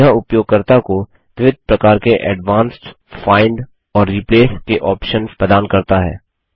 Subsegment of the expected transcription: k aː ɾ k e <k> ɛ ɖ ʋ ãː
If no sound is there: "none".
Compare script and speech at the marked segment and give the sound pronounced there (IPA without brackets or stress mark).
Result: ʔ